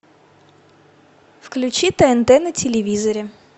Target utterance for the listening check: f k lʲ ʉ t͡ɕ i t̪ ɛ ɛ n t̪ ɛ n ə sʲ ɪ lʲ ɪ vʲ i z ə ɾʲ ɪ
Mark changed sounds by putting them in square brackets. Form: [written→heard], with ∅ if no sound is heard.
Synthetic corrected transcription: f k lʲ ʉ t͡ɕ i t̪ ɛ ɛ n t̪ ɛ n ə [sʲ→tʲ] ɪ lʲ ɪ vʲ i z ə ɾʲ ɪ